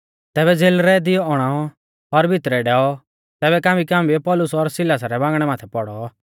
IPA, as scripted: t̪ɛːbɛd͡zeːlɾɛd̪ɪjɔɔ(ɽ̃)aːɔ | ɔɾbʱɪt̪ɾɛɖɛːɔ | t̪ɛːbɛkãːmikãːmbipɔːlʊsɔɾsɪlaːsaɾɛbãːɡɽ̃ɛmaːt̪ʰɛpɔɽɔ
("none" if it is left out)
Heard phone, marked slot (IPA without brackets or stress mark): ɽ̃